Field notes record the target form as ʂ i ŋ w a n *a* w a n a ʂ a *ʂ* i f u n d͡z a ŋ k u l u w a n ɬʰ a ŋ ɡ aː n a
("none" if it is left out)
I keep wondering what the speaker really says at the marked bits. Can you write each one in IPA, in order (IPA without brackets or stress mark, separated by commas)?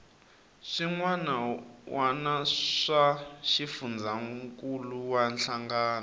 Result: a, ʃ